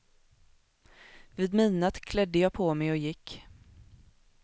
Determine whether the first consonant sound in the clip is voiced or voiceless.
voiced